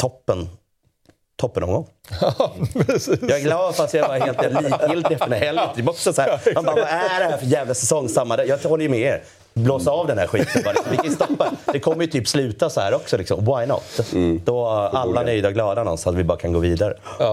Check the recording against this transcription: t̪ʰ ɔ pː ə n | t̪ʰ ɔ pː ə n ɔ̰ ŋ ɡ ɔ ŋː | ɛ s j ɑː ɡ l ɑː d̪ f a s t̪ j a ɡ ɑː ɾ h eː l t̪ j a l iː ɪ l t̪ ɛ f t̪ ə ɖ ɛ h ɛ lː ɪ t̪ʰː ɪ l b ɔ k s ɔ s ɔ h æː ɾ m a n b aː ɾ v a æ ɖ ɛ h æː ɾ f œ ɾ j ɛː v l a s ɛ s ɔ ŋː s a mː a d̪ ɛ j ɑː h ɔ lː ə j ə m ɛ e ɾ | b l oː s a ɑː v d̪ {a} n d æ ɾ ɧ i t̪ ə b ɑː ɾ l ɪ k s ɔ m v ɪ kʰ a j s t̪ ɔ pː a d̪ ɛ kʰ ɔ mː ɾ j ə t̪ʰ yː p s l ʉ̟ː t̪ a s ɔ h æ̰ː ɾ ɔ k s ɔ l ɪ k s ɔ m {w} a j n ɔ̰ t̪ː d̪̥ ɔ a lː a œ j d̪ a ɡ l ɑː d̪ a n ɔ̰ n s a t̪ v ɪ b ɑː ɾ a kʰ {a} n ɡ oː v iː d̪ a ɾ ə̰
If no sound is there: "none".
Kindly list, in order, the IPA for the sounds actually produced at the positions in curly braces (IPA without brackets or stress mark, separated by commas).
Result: ɛ, w, a